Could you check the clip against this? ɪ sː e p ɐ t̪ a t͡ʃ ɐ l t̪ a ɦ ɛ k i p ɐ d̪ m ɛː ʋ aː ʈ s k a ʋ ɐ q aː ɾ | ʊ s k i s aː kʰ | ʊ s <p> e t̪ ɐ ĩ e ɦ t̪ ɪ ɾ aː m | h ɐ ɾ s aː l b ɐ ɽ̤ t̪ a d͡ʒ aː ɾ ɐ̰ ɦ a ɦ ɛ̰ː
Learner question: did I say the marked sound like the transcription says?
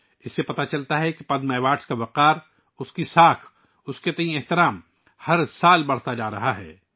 no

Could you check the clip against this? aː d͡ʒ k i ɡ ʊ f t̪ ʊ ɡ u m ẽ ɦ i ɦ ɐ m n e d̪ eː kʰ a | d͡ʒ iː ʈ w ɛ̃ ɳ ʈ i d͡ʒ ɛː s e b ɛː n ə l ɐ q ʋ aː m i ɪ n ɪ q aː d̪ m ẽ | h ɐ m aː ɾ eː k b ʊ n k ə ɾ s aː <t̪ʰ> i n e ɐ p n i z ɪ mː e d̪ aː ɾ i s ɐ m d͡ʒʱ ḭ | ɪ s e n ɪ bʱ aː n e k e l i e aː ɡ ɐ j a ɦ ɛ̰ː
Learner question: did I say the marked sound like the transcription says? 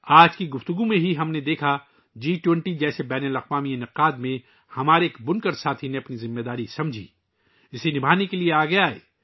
yes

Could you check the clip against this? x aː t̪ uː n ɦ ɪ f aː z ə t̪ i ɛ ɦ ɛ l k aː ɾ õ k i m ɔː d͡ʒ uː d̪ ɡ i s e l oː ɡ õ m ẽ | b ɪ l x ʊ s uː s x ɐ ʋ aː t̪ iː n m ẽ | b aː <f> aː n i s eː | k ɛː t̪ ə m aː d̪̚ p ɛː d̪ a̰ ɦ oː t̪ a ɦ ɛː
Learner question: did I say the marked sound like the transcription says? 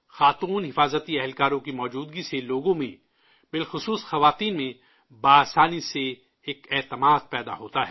no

